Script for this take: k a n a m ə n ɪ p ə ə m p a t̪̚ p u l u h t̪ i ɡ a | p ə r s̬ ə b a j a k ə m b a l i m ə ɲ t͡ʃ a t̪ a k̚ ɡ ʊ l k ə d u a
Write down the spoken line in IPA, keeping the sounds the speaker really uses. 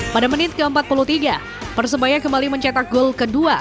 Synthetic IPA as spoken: p a d a m ə n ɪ k ə ə m p a t̪̚ p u l u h t̪ i ɡ a | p ə r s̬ ə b a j a k ə m b a l i m ə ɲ t͡ʃ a t̪ a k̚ ɡ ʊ l k ə d u a